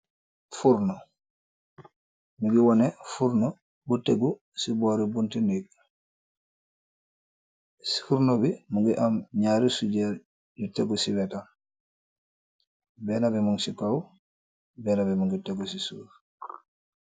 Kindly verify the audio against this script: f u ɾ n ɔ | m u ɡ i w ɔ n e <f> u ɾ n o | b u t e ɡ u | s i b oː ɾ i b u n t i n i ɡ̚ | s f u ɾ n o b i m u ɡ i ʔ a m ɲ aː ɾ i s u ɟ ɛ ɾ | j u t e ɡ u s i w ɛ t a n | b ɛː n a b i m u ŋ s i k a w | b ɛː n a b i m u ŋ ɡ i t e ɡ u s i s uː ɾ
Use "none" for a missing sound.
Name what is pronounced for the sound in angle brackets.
f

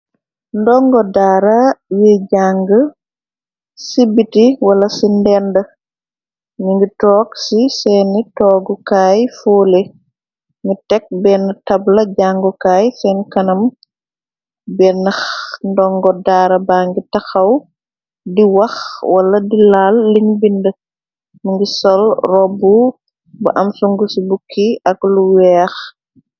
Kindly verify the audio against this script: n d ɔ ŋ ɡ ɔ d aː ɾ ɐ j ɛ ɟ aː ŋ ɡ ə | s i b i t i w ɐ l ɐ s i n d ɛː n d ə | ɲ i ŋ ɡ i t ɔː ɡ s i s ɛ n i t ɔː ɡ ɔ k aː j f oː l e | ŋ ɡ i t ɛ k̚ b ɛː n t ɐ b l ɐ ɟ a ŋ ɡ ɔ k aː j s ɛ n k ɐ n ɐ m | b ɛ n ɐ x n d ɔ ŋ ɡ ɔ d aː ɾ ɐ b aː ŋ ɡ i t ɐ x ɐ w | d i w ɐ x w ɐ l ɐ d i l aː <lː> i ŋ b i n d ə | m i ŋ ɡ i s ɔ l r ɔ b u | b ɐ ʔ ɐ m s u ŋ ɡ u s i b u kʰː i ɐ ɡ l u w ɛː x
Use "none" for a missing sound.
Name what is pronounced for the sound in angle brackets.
lː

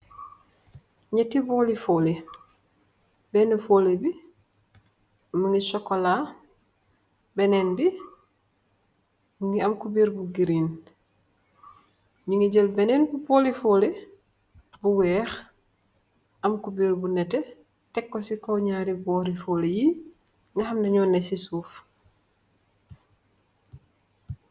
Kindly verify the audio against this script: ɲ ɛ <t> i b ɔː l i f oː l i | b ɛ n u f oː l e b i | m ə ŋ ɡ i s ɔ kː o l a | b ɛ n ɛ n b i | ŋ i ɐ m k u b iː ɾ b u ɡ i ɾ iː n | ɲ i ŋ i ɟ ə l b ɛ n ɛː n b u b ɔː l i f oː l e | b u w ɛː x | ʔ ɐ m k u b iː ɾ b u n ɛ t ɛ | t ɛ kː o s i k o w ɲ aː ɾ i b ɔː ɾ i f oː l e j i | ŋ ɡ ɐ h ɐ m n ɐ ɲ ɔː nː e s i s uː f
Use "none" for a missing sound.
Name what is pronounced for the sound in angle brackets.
t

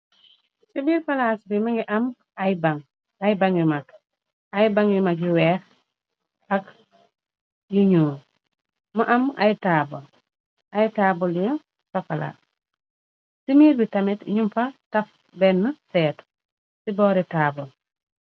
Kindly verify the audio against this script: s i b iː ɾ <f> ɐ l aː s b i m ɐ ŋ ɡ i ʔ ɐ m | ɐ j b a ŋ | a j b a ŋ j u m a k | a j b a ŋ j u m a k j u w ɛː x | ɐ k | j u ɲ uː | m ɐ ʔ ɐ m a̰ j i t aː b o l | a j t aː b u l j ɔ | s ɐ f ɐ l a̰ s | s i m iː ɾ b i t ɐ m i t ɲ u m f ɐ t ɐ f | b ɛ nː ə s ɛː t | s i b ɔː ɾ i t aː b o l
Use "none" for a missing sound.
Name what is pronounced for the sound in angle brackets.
f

